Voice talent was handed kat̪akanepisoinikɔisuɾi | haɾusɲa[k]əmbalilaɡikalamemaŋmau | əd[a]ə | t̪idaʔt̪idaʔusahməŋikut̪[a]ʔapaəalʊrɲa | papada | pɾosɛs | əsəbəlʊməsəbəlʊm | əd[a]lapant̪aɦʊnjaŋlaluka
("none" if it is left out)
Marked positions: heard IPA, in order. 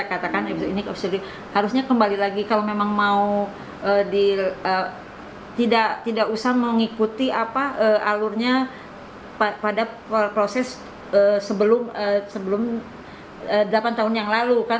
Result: k, i, i, ə

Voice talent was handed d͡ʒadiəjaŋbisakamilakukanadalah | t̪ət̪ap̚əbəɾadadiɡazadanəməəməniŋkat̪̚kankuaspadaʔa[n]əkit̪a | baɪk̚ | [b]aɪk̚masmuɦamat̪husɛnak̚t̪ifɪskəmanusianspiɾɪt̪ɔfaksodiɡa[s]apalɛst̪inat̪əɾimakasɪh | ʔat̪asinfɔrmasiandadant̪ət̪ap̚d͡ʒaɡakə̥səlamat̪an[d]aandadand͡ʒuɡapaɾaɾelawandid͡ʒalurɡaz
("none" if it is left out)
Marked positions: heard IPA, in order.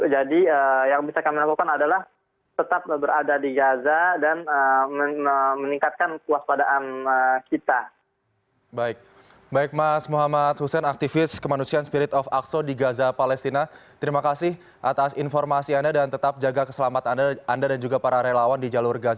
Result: n, b, z, d

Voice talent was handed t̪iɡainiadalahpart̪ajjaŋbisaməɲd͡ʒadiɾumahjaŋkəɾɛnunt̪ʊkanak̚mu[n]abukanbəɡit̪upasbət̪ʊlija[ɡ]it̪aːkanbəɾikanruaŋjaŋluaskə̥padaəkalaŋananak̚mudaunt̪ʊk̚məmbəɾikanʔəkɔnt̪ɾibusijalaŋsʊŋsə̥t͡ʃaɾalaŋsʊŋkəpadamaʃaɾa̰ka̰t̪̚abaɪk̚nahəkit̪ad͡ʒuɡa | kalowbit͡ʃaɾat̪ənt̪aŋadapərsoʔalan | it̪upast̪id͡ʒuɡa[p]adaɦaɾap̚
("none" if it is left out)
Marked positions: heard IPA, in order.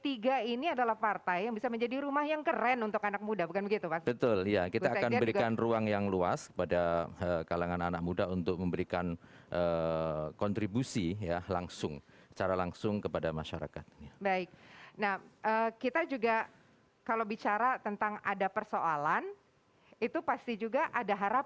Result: d, k, ʔ

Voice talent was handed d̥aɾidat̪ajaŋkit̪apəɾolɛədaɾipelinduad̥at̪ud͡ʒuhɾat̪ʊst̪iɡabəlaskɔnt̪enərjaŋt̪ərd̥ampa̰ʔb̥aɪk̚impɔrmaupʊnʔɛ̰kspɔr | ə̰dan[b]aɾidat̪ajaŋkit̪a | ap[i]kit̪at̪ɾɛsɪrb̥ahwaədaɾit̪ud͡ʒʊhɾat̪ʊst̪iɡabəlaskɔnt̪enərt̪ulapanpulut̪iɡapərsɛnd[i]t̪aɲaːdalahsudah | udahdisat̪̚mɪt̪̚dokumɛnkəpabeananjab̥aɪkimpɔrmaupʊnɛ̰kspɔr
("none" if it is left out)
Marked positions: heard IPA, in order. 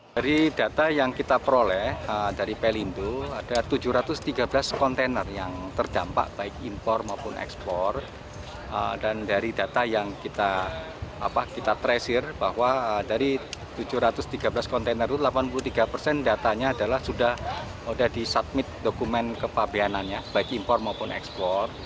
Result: d, a, a

